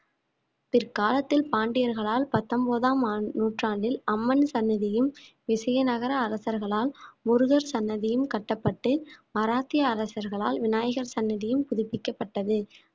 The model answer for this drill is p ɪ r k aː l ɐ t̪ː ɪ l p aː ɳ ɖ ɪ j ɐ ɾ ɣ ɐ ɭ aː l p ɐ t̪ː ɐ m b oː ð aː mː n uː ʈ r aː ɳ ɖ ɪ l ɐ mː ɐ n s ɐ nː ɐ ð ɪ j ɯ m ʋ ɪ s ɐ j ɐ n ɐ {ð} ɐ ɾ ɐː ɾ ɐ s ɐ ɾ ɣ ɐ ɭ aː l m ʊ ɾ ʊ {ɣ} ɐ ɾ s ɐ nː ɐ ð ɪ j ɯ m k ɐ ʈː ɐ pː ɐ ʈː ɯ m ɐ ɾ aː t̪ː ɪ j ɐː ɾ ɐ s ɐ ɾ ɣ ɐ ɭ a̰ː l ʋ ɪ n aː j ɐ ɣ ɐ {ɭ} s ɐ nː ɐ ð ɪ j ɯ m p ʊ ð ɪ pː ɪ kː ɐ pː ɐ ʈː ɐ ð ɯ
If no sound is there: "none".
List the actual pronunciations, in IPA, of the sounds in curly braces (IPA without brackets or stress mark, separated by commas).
ɣ, ɣ, ɾ